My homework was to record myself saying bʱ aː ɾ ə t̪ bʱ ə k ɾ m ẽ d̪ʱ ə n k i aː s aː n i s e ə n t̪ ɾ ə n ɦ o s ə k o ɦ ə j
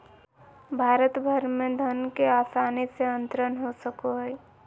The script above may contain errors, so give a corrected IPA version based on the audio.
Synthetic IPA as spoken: bʱ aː ɾ ə t̪ bʱ ə ɾ m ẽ d̪ʱ ə n k e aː s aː n i s e ə n t̪ ɾ ə n ɦ o s ə k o ɦ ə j